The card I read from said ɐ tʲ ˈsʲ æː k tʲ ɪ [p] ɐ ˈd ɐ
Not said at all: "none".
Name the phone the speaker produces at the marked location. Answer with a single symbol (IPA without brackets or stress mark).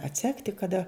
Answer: k